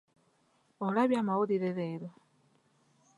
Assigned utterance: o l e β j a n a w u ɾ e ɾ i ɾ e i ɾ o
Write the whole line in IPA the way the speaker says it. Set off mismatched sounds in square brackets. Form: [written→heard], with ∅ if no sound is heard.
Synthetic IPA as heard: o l [e→a] β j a [n→m] a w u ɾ [e→i] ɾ [i→e] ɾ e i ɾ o